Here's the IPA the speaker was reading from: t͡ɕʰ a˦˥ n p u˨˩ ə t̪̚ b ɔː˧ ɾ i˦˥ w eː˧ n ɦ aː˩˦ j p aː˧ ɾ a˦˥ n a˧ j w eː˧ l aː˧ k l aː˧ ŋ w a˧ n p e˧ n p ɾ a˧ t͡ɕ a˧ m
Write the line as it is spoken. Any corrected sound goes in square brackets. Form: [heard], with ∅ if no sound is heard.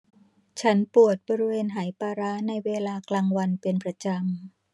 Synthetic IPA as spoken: t͡ɕʰ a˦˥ n p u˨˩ ə t̪̚ b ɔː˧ ɾ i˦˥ w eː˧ n ɦ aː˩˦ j p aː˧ ɾ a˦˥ n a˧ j w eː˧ l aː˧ k l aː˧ ŋ w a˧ n p e˧ n p ɾ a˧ t͡ɕ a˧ m